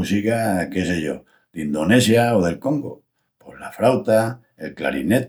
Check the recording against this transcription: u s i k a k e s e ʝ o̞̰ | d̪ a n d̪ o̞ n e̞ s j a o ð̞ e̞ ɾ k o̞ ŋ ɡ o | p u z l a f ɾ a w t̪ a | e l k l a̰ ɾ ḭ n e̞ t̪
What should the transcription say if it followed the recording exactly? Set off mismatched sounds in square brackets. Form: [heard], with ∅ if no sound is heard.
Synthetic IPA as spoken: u s i k a k e s e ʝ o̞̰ | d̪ [i] n d̪ o̞ n e̞ s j a o ð̞ e̞ [l] k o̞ ŋ ɡ o | p [o] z l a f ɾ a w t̪ a | e l k l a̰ ɾ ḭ n e̞ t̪